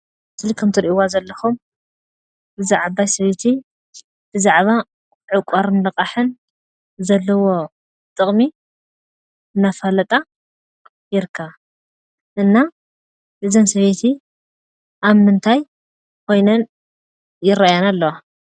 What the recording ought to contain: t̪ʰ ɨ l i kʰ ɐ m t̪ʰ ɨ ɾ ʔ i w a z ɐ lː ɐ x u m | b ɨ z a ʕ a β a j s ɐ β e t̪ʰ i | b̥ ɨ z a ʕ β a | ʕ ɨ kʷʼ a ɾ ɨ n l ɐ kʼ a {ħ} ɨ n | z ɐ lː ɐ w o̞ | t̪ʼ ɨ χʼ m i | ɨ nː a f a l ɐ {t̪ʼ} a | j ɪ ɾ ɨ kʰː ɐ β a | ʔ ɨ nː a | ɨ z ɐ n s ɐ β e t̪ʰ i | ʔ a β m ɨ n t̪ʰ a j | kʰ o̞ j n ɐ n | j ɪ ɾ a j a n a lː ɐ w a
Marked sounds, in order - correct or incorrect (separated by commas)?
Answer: correct, correct